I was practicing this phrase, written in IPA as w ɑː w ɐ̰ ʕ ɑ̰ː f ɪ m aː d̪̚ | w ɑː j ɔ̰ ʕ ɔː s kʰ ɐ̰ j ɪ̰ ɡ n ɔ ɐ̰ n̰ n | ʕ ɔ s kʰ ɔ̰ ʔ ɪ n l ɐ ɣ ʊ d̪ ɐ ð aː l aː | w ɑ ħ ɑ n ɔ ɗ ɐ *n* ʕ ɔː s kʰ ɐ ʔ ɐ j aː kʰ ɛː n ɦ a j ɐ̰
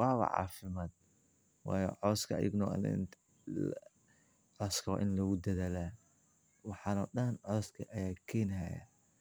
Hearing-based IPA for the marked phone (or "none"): n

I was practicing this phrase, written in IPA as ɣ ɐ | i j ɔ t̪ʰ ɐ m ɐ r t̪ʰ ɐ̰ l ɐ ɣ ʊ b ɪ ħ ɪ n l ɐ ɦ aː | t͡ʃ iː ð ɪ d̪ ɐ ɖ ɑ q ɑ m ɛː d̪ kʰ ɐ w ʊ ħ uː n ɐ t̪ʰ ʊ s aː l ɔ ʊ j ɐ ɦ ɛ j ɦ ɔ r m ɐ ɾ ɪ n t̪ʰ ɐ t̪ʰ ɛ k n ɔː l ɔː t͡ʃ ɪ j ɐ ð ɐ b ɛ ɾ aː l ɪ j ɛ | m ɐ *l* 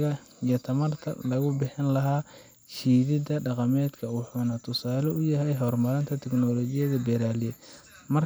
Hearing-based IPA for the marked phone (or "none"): r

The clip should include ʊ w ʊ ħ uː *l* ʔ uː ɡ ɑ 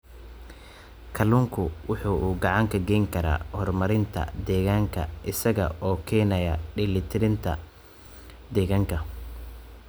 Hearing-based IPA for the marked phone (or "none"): none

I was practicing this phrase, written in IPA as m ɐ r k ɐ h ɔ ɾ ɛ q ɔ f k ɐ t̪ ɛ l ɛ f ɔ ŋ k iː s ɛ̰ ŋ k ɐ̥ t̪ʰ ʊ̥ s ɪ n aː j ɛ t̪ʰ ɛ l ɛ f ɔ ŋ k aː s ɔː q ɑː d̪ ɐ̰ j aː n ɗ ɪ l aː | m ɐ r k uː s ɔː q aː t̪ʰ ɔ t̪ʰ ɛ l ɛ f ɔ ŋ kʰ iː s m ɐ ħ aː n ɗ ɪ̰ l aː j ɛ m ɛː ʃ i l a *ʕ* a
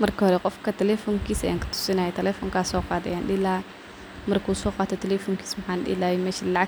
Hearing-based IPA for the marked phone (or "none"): ʕ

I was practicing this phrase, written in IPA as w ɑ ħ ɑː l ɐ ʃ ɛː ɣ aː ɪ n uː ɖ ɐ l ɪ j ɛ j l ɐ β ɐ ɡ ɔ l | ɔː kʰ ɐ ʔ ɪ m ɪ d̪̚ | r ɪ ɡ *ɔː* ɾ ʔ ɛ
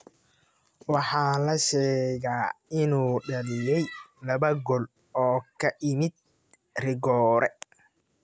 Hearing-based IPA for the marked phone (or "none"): ɔː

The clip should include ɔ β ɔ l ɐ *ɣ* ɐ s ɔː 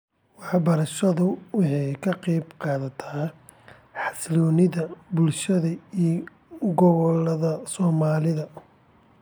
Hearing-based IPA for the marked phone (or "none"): ð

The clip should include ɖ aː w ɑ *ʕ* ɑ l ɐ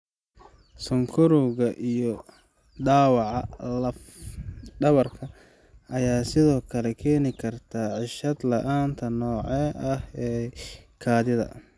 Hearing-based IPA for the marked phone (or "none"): ʕ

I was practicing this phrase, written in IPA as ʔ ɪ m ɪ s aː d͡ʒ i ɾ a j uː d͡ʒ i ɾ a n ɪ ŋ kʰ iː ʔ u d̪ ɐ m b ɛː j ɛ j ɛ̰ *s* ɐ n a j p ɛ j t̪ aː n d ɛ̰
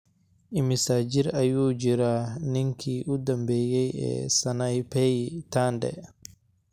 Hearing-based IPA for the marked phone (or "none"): s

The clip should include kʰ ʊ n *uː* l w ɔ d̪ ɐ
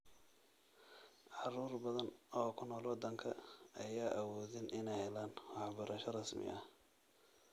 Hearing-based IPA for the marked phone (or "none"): ɔː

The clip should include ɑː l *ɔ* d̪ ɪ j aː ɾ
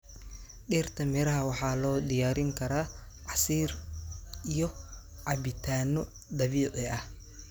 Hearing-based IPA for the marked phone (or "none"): ɔː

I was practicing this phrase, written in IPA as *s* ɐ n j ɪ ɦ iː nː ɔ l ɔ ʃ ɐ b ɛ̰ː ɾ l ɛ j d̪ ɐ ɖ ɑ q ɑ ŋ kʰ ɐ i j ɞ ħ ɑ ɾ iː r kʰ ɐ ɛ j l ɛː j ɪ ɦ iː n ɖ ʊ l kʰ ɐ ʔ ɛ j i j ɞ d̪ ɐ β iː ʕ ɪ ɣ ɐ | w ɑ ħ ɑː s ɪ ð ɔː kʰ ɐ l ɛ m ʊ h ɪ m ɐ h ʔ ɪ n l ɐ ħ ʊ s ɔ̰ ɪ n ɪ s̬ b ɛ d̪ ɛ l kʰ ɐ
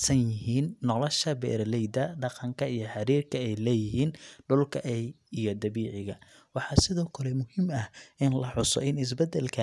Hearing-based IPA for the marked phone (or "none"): s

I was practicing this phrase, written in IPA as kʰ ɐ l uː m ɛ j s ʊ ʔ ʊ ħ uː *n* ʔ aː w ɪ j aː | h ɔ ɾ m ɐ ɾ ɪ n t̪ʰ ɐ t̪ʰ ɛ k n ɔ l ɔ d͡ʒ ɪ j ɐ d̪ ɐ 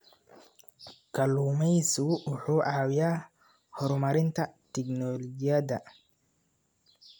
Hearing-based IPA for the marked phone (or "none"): none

